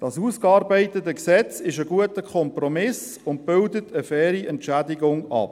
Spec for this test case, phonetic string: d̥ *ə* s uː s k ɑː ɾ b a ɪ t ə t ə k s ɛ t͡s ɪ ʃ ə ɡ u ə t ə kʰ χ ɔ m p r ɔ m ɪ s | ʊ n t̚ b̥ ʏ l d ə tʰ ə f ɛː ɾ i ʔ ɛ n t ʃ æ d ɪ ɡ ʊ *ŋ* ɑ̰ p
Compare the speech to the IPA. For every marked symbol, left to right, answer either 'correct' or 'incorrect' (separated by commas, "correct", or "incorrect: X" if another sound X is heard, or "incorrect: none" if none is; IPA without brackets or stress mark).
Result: incorrect: ɑ, correct